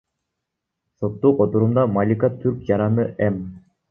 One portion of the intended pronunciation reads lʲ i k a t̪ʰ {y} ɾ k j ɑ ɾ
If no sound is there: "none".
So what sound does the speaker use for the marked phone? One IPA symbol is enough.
y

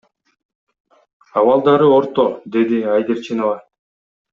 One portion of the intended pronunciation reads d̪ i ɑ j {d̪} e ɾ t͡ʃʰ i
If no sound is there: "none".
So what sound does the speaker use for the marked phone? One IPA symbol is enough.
d̪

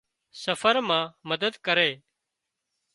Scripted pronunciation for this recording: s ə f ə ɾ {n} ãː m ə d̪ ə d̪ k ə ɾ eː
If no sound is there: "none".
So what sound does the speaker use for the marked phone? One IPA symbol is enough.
m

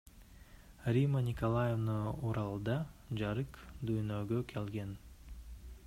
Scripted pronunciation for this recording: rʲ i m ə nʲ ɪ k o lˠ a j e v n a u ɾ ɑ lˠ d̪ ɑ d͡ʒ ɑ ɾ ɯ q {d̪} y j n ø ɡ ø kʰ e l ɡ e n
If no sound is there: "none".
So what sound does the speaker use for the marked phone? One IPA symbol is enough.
d̪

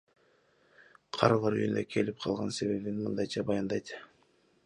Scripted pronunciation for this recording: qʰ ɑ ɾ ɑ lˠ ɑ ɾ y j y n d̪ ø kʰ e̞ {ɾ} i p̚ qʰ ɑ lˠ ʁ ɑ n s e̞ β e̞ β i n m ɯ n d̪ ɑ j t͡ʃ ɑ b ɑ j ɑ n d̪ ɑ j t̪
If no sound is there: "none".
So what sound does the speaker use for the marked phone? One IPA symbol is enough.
l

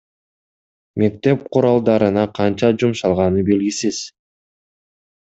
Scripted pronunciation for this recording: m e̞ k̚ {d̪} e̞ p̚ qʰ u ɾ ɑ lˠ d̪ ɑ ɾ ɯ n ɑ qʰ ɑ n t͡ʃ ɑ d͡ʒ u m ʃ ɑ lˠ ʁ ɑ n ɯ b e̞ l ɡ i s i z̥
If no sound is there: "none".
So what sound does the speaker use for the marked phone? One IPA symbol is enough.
t̪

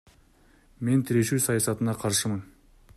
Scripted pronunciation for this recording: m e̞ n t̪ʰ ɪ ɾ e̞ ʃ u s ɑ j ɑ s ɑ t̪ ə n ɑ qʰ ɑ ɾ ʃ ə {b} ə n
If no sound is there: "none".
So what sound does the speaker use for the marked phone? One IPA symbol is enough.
m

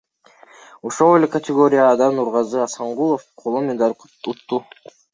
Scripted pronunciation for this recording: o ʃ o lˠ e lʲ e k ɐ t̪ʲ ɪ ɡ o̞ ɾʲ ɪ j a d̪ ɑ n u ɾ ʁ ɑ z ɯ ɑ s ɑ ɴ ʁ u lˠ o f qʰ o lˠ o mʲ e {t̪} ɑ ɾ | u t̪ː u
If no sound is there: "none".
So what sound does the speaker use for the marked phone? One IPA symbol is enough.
d̪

